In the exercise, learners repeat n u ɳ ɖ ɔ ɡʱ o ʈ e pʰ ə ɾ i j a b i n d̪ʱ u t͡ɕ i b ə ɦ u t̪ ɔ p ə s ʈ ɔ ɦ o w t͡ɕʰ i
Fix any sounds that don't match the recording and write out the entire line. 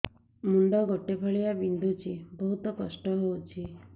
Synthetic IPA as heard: m u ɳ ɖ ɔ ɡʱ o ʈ e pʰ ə ɭ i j a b i n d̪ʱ u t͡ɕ i b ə ɦ u t̪ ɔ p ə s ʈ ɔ ɦ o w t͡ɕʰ i